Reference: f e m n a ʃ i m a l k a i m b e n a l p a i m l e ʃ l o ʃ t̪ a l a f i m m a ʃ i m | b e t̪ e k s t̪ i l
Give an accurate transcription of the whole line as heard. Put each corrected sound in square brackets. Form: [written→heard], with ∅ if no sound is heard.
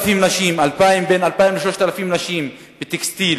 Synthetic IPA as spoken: f [e→i] m n a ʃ i m a l [k→p] a i m b e n a l p a i m l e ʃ l o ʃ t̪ a l a f i m [m→n] a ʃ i m | b e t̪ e k s t̪ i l